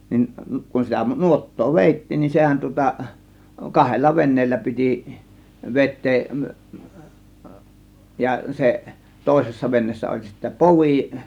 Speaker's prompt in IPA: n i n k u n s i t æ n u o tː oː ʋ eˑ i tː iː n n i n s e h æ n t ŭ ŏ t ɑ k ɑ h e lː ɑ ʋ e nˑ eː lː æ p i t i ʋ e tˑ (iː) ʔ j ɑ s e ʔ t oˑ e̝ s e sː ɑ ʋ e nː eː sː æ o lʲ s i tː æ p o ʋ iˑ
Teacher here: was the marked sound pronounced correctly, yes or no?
no